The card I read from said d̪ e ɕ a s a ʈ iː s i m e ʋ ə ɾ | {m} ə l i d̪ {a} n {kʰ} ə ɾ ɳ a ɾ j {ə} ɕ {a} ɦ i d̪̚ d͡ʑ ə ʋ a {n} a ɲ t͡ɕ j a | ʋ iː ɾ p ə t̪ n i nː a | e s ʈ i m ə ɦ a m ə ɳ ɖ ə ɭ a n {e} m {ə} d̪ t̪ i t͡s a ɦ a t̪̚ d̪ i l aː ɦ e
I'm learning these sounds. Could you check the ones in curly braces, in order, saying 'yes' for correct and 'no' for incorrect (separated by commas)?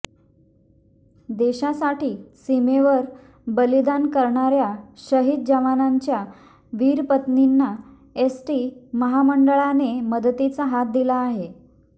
no, yes, no, no, no, yes, yes, yes